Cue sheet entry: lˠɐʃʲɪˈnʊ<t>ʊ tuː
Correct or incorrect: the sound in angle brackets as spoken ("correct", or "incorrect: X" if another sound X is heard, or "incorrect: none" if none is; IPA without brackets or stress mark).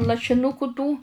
incorrect: k